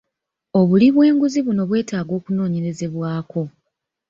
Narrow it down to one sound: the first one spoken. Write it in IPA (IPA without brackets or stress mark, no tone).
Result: o̞